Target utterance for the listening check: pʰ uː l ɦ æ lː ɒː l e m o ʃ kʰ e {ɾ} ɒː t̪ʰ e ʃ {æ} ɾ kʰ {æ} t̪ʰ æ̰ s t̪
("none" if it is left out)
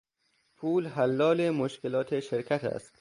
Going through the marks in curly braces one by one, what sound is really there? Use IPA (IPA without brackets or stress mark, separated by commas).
l, e, æ